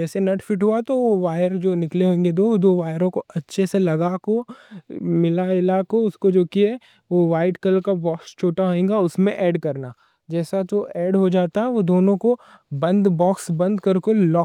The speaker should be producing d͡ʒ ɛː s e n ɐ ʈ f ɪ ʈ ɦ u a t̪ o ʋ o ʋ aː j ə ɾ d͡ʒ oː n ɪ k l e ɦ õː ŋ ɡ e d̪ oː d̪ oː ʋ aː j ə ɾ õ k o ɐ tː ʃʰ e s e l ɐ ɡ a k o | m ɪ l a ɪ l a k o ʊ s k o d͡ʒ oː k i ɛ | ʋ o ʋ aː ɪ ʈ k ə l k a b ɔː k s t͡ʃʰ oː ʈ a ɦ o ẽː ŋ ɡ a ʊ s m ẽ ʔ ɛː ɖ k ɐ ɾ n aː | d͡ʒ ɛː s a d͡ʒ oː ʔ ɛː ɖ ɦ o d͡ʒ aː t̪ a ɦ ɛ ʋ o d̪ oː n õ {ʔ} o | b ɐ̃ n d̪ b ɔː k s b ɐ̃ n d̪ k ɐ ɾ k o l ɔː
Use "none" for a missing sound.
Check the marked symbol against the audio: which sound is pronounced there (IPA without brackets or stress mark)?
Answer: k